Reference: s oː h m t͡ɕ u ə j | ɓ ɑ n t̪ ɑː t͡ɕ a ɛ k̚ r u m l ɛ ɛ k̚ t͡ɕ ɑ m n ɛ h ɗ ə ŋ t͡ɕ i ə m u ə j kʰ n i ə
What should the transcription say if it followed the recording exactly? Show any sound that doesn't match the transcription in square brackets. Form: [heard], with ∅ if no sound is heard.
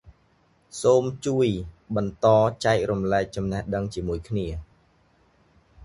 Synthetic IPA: s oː [∅] m t͡ɕ u ə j | ɓ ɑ n t̪ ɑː t͡ɕ a ɛ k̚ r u m l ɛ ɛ k̚ t͡ɕ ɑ m n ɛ h ɗ ə ŋ t͡ɕ i ə m u ə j kʰ n i ə